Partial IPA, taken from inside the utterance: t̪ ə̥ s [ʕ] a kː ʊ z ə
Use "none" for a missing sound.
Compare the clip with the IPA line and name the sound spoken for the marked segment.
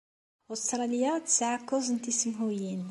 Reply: ʕ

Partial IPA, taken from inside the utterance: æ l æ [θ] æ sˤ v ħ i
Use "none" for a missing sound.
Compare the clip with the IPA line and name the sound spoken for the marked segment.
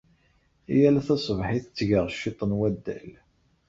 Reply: θ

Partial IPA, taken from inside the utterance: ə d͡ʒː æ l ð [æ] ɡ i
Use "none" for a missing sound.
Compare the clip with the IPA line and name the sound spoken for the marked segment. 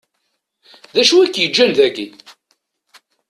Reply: æ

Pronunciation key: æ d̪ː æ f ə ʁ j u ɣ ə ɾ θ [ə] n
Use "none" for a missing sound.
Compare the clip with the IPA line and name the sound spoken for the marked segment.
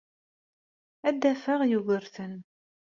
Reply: ə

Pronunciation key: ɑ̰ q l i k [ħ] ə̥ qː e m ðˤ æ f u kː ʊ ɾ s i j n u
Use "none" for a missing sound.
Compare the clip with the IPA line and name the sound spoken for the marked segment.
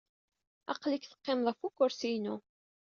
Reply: θ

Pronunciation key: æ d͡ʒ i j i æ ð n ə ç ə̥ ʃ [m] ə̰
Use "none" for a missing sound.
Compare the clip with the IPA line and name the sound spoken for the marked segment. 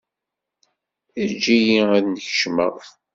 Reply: m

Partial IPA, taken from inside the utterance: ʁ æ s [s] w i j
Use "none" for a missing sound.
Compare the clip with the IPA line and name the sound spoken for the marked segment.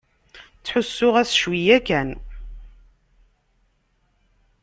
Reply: ʃ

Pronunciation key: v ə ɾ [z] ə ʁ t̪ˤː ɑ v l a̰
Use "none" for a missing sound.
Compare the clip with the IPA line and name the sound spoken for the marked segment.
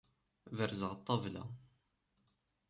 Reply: z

